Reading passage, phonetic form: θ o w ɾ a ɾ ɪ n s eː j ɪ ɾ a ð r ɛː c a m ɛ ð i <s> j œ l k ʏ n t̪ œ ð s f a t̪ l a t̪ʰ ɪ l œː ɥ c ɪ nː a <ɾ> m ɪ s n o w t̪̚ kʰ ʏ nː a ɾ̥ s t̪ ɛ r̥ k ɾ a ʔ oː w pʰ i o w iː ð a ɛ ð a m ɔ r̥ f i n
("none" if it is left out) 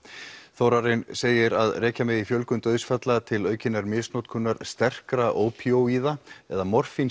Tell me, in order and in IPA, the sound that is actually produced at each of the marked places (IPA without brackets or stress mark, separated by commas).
f, ɾ